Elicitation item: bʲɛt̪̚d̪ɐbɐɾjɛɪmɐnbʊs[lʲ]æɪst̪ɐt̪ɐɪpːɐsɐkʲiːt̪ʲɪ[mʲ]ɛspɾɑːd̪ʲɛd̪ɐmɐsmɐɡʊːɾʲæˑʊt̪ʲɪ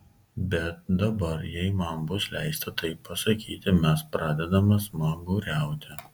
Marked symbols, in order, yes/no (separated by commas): yes, yes